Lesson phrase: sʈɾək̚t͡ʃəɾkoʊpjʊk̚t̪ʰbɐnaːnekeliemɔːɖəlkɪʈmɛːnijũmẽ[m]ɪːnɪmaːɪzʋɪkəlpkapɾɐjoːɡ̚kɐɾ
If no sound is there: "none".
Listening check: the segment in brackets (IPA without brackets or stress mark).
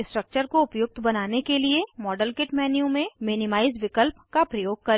m